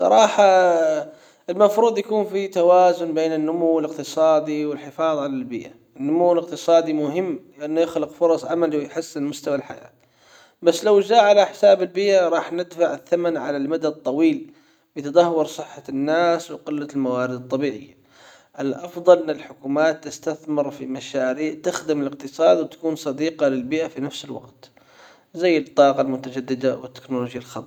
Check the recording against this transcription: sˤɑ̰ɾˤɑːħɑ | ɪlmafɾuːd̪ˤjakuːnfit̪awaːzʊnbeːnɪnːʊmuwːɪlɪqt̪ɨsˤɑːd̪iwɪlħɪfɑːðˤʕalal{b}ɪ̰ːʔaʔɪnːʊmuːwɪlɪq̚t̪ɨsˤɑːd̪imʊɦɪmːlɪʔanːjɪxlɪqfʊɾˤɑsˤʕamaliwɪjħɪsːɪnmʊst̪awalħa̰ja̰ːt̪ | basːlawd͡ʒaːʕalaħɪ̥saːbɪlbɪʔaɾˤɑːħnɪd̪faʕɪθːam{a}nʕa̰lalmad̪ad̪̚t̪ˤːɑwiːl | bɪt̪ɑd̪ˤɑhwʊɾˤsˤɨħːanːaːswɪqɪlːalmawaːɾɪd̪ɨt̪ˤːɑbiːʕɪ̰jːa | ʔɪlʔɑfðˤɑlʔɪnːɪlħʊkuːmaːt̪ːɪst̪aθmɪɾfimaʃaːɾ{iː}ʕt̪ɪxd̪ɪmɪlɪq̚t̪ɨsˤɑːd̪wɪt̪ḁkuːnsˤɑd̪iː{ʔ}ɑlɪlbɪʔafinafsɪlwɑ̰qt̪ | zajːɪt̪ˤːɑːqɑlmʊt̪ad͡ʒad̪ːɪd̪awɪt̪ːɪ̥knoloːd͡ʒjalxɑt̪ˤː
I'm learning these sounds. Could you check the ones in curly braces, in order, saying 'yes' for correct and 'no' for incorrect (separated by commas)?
yes, yes, yes, no